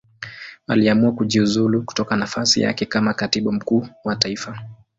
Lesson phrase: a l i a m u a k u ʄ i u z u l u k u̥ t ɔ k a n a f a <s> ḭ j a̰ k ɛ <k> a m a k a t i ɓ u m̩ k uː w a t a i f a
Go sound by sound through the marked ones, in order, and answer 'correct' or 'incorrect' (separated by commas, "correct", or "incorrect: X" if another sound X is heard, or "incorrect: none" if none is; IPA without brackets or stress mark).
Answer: correct, correct